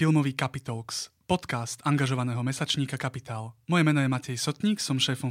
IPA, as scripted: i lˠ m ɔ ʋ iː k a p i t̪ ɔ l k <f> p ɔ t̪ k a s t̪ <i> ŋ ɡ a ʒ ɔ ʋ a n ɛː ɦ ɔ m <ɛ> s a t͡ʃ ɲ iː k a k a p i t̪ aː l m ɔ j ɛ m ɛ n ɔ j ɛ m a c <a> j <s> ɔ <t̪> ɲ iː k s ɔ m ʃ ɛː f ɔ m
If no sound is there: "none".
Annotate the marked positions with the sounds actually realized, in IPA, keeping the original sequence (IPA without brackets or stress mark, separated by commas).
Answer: s, a, ɛ, ɛ, s, t̪